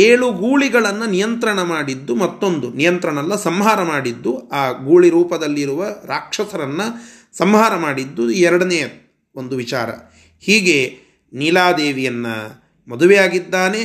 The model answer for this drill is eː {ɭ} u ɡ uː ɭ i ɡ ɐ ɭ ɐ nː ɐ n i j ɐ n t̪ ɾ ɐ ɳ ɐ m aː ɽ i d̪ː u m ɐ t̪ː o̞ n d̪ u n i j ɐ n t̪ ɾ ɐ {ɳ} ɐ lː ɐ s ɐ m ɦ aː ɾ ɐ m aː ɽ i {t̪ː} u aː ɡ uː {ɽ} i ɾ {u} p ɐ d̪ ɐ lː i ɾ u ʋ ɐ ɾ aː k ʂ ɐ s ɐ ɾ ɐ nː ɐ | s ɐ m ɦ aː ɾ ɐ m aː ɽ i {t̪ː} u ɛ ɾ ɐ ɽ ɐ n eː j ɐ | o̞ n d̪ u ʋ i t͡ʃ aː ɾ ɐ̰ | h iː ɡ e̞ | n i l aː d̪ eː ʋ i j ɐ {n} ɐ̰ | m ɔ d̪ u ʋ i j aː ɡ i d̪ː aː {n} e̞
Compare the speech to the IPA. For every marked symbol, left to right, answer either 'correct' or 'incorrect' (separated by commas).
correct, correct, incorrect, incorrect, incorrect, incorrect, incorrect, correct